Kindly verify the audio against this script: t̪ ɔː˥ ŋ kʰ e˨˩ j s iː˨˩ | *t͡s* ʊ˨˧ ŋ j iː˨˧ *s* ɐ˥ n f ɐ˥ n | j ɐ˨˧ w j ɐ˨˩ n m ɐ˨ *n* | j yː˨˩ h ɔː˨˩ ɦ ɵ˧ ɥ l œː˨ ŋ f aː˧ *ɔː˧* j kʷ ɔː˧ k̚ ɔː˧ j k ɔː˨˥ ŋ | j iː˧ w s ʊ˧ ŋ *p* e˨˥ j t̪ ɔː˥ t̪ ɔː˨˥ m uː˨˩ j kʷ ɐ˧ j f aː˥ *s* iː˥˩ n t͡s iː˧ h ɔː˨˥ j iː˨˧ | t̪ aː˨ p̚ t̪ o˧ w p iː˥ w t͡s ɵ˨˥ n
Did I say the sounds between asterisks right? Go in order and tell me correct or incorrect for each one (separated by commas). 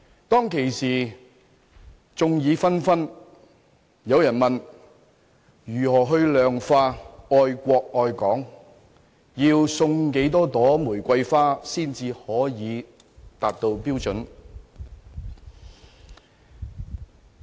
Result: correct, incorrect, correct, correct, incorrect, correct